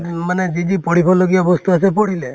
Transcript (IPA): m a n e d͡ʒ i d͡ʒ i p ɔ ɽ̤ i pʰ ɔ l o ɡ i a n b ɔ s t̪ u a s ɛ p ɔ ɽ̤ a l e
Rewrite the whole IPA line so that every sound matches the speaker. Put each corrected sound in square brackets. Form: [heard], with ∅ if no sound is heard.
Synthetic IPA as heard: m a n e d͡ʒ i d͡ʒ i p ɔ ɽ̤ i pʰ ɔ l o ɡ i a [∅] b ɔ s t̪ u a s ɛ p ɔ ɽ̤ [i] l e